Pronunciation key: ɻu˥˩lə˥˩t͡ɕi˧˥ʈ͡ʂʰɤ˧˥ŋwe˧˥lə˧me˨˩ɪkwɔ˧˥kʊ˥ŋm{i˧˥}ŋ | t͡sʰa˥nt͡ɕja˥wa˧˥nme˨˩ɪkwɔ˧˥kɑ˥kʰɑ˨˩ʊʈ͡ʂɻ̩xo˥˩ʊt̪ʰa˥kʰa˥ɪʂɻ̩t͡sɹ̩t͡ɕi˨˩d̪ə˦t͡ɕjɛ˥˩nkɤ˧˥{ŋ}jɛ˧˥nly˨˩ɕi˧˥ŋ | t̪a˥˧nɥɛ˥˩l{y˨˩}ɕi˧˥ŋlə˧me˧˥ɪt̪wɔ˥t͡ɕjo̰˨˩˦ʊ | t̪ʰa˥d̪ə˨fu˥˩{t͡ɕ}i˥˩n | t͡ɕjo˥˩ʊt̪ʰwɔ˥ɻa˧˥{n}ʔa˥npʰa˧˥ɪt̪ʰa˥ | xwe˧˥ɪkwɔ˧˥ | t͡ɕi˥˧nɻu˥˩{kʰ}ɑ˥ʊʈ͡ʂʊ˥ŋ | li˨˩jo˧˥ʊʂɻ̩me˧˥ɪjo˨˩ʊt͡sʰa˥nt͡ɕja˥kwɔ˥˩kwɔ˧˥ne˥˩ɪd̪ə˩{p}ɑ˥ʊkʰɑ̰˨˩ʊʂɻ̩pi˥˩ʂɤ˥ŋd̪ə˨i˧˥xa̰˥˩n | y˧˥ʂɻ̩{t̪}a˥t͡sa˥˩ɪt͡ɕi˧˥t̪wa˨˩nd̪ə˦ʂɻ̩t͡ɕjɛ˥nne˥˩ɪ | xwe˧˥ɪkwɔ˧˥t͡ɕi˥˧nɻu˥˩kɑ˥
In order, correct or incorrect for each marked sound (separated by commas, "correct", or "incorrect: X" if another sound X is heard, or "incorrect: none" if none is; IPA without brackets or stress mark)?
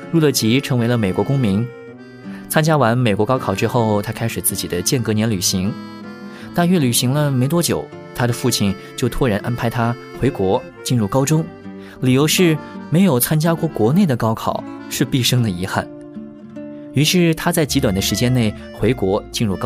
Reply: correct, incorrect: n, correct, incorrect: t͡ɕʰ, correct, incorrect: k, incorrect: k, incorrect: t̪ʰ